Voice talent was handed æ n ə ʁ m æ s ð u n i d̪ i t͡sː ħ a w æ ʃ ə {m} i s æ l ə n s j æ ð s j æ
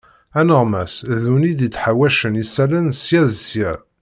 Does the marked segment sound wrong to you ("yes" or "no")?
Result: yes